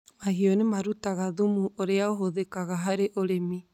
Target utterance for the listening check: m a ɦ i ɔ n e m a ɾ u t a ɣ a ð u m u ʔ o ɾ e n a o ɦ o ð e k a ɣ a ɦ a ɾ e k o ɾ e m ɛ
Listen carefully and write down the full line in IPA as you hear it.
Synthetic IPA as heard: m a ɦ i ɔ n e m a ɾ u t a ɣ a ð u m u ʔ o ɾ e a o ɦ o ð e k a ɣ a ɦ a ɾ e ʔ o ɾ e m i